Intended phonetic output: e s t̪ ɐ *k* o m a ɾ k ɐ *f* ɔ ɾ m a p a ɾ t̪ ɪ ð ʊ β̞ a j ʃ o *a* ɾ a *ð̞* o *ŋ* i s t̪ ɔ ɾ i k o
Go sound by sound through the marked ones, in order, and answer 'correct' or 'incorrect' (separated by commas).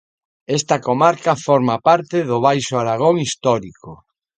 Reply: correct, correct, correct, incorrect, correct